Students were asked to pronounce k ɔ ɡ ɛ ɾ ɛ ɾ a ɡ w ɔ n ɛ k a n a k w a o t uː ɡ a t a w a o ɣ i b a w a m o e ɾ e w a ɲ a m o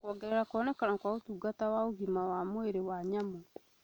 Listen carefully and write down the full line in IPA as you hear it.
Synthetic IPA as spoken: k ɔ ɡ ɛ ɾ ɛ ɾ a k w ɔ n ɛ k a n a k w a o t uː ɡ a t a w a o ɣ i m a w a m o e ɾ e w a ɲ a m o

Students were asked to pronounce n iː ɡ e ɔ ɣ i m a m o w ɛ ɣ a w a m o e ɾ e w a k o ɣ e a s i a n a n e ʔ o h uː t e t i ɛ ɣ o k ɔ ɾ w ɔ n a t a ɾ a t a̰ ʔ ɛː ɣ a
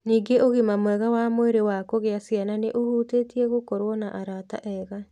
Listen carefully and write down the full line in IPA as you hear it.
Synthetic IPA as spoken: n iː ɡ e o ɣ i m a m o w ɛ ɣ a w a m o e ɾ e w a k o ɣ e a s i a n a n e ʔ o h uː t e t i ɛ ɣ o k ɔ ɾ w ɔ n a ʔ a ɾ a t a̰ ʔ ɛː ɣ a

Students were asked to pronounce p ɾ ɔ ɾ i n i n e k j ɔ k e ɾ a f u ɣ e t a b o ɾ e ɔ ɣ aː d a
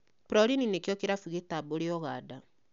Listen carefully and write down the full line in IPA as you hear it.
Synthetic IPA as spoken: p ɾ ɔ ɾ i n i n e k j ɔ k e ɾ a f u ɣ e t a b o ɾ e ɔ ɣ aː d a

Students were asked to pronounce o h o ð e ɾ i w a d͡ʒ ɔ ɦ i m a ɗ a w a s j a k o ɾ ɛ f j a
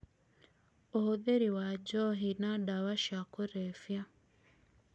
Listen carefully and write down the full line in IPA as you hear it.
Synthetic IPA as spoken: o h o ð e ɾ i w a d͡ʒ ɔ ɦ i n a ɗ a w a ʃ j a k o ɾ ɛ f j a

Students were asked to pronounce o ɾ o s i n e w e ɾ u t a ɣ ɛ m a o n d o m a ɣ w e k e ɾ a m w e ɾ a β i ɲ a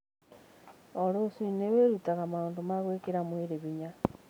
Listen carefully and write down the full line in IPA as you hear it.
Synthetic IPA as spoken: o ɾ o s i n e w e ɾ u t a ɣ a m a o n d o m a ɣ w e k e ɾ a m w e ɾ e β i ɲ a

